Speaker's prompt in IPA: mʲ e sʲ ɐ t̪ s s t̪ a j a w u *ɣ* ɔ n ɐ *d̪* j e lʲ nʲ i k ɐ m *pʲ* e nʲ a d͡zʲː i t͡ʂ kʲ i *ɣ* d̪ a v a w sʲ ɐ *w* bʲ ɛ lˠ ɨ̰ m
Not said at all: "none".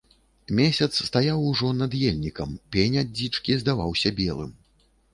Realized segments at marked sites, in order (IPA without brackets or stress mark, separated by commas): ʐ, d̪, pʲ, z, none